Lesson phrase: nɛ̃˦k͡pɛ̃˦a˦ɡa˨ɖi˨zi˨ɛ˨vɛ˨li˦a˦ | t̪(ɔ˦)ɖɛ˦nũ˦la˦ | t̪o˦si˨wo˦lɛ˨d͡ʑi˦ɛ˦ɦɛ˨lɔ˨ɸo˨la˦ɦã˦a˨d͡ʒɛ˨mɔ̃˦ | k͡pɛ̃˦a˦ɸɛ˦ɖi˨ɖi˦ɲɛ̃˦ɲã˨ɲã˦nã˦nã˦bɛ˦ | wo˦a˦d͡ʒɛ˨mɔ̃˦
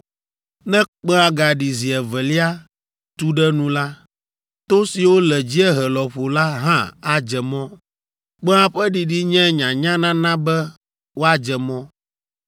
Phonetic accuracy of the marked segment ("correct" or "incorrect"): incorrect